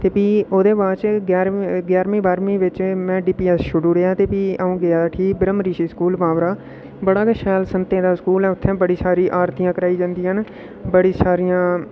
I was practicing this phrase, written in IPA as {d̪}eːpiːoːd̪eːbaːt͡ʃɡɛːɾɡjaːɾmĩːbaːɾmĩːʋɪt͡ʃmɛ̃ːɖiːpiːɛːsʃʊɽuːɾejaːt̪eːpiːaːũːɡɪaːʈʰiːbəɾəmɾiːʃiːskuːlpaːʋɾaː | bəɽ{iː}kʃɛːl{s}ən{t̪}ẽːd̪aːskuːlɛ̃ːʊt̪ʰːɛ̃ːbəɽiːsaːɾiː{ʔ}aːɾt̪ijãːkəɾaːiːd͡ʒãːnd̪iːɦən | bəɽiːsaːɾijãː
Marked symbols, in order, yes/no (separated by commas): no, no, yes, yes, yes